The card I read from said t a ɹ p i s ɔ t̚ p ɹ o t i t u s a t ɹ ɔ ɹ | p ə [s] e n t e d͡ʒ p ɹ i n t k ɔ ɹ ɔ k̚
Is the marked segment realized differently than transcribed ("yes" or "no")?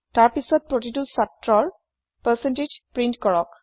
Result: no